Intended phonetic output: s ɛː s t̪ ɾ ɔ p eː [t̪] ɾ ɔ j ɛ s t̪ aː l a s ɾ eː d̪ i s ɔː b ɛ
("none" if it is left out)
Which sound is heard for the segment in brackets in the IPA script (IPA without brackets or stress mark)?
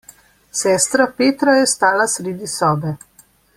t̪